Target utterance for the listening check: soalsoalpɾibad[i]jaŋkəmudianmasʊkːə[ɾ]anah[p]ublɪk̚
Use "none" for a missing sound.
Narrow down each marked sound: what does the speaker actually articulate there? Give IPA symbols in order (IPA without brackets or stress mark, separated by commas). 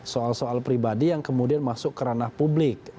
i, ɾ, p